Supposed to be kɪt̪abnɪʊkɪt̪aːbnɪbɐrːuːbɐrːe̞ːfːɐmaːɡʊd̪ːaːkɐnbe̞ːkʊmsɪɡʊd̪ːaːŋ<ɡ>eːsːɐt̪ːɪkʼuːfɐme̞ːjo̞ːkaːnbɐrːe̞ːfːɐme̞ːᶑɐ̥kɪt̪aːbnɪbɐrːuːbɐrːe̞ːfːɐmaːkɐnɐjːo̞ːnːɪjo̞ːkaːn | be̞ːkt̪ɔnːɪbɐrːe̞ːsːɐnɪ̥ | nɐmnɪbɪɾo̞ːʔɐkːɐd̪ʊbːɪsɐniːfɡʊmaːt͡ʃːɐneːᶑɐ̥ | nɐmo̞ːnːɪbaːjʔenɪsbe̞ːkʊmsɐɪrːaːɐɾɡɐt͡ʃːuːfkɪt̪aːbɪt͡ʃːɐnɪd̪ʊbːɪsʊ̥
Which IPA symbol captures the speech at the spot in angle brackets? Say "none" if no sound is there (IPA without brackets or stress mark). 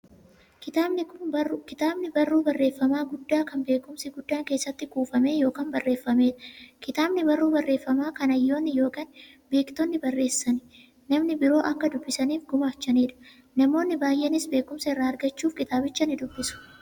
k